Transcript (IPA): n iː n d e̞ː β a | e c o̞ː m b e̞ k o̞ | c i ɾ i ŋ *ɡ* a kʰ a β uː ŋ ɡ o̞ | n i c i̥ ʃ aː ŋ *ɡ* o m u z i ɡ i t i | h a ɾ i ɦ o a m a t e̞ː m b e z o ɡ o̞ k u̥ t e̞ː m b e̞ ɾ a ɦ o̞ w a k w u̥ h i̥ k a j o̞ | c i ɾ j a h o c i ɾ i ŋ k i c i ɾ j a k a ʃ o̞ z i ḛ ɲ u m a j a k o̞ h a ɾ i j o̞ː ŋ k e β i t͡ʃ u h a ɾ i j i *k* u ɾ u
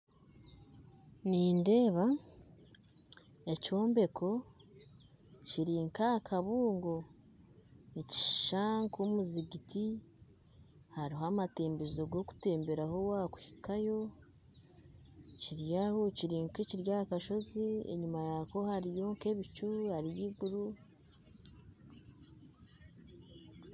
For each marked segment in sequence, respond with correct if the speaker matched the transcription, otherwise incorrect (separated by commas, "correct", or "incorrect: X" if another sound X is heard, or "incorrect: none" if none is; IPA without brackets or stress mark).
incorrect: k, incorrect: k, incorrect: ɡ